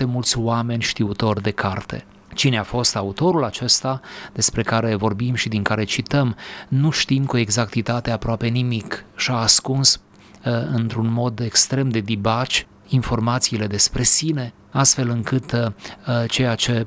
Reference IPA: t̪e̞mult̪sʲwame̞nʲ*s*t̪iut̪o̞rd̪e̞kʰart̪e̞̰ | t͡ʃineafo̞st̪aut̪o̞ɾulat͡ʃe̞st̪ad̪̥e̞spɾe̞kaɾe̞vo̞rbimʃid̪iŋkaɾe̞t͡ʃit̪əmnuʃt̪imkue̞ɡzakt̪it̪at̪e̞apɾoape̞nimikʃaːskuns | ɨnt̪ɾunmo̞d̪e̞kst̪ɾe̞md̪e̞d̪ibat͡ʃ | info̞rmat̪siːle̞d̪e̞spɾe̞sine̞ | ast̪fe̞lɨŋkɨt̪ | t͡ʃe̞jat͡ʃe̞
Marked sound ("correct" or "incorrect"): incorrect